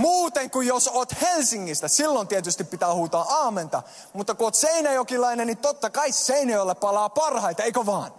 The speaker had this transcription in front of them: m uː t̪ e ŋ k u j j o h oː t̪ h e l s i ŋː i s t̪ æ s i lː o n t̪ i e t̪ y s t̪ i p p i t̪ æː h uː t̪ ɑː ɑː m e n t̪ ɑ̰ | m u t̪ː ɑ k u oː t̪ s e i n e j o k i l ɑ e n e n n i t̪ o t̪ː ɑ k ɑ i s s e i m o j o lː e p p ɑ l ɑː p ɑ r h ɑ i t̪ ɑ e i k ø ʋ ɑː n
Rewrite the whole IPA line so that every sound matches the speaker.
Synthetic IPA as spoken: m uː t̪ e ŋ k u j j o s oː t̪ h e l s i ŋː i s t̪ æ s i lː o n t̪ i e t̪ y s t̪ i p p i t̪ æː h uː t̪ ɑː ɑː m e n t̪ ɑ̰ | m u t̪ː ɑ k u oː t̪ s e i n æ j o k i l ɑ i n e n n i t̪ o t̪ː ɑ k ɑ i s s e i n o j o lː e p p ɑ l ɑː p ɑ r h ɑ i t̪ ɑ e i k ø ʋ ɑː n